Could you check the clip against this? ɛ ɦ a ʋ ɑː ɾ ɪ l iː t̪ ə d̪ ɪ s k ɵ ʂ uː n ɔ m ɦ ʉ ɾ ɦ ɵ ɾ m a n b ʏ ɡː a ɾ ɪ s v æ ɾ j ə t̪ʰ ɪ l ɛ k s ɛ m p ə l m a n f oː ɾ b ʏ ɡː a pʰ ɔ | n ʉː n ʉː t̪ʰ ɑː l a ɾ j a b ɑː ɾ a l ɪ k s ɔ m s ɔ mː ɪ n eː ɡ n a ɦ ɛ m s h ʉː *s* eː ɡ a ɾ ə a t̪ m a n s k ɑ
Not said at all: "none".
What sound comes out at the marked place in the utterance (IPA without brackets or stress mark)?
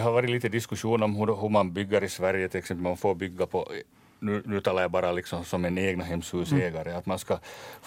s